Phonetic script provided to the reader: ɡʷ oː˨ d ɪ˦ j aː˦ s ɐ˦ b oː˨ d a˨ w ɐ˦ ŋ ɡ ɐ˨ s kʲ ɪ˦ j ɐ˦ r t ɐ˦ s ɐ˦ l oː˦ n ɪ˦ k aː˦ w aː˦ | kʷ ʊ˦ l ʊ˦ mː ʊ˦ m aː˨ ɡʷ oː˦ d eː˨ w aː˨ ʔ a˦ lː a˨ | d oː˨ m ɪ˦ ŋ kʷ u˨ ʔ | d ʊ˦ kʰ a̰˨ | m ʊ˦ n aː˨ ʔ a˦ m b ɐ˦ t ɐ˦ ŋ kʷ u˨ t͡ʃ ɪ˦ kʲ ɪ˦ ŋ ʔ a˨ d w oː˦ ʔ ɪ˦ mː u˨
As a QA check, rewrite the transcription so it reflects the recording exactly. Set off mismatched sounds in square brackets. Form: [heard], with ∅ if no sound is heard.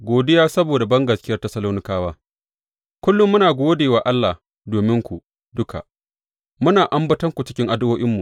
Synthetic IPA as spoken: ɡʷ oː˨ d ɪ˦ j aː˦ s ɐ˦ b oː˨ d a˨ [b] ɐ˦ ŋ ɡ ɐ˨ s kʲ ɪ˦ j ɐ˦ r t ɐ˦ s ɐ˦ l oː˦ n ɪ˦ k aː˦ w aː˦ | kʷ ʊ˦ [lː] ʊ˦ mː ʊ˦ [n] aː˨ ɡʷ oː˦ d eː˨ w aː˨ ʔ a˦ lː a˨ | d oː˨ m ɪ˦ ŋ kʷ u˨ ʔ | d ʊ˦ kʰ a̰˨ | m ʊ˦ n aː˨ ʔ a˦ m b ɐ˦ t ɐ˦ ŋ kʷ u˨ t͡ʃ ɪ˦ kʲ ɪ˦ ŋ ʔ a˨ d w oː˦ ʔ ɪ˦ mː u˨